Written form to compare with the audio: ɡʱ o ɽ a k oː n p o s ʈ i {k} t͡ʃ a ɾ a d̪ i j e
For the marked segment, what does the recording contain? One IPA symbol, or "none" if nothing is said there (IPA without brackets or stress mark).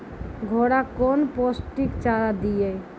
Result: k